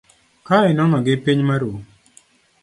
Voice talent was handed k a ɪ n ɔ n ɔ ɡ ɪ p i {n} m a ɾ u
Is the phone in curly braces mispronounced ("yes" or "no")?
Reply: yes